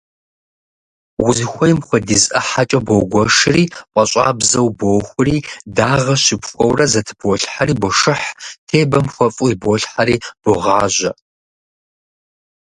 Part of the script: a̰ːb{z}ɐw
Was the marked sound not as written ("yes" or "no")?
no